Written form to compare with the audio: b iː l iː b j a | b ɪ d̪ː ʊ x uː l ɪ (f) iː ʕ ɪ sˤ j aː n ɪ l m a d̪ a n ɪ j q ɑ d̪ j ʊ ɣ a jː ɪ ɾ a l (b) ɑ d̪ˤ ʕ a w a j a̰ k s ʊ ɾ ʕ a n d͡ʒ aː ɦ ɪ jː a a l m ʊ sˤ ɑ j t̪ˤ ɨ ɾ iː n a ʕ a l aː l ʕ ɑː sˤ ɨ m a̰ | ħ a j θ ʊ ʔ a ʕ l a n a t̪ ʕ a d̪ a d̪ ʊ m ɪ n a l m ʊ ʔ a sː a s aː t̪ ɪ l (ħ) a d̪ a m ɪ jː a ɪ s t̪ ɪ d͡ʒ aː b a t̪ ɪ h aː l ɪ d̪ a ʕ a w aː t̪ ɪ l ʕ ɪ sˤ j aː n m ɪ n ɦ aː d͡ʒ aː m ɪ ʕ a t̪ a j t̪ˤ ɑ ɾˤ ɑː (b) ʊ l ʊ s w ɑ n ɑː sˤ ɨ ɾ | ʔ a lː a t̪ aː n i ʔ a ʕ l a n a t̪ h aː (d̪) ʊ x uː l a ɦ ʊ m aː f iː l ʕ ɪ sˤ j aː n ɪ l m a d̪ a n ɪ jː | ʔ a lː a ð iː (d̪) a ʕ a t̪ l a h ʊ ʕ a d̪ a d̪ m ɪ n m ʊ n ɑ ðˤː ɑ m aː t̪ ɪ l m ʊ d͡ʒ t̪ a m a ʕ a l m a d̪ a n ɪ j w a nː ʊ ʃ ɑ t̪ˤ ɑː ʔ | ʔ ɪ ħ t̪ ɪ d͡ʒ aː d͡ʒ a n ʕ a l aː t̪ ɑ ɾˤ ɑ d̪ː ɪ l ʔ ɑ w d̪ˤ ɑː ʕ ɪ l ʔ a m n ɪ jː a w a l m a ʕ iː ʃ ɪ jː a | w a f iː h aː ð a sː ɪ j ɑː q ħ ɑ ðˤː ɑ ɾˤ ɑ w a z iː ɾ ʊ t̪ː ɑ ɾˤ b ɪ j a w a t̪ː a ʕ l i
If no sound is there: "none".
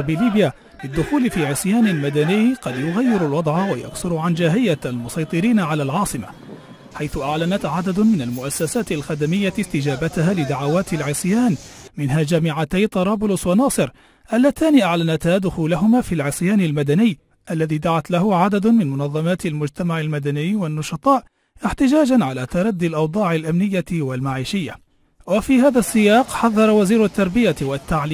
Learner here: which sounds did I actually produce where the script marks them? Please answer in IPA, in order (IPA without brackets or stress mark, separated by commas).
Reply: f, w, x, b, d̪, d̪